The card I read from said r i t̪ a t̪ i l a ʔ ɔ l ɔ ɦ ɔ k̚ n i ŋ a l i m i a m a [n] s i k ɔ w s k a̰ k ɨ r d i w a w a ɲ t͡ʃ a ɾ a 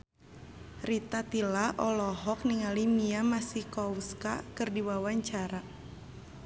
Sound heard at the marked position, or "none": none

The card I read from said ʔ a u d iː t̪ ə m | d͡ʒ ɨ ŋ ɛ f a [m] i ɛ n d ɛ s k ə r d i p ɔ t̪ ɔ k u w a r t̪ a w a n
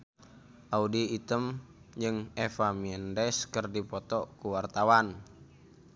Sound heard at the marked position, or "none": m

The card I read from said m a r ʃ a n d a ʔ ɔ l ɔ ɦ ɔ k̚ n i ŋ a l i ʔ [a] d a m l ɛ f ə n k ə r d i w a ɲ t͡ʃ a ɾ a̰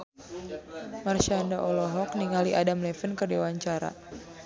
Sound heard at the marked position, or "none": a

